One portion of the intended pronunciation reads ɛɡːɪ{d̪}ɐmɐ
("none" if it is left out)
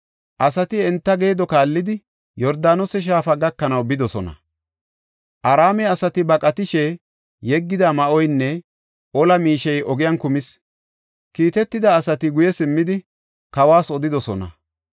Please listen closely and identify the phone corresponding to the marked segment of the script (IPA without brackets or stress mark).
d̪